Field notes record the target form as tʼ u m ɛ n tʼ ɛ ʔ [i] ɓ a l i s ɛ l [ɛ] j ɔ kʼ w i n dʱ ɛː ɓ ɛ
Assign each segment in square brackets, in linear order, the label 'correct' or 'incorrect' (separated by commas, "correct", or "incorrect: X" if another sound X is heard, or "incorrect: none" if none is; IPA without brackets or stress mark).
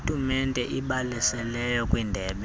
correct, correct